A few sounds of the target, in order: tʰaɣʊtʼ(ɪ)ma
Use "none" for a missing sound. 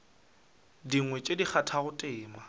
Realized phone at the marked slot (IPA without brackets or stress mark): ɪː